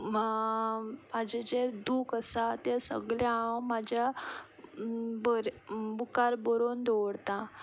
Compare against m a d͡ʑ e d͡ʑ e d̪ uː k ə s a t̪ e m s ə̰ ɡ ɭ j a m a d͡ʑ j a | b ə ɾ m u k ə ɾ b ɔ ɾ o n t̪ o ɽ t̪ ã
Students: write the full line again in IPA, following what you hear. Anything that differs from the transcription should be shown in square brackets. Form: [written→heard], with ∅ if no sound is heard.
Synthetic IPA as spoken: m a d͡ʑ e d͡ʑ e d̪ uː k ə s a t̪ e [m→∅] s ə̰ ɡ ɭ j a m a d͡ʑ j a | b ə ɾ [m→b] u k [ə→a] ɾ b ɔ ɾ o n [t̪→d̪] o ɽ t̪ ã